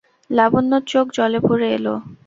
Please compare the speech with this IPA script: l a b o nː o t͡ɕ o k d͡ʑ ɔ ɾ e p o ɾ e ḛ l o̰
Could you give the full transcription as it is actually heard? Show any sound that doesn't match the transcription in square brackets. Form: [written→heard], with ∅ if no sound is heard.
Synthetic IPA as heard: l a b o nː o t͡ɕ o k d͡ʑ ɔ [ɾ→l] e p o ɾ e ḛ l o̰